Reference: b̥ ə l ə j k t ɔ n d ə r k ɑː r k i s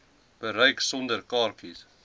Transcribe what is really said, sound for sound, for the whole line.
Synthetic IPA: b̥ ə ɾ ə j k s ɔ n d ə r k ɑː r k i s